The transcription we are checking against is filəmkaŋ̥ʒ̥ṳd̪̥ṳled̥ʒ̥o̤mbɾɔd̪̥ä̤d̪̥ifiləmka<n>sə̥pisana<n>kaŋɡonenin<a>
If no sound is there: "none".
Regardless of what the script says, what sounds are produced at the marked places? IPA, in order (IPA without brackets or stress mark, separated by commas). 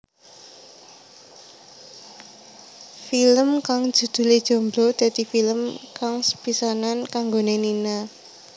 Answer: ŋ, n, a